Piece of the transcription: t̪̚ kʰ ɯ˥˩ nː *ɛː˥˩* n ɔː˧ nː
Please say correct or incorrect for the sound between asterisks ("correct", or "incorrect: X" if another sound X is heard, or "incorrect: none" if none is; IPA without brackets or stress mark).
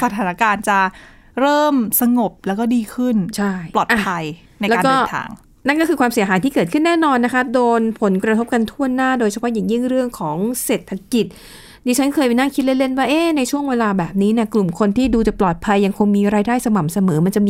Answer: correct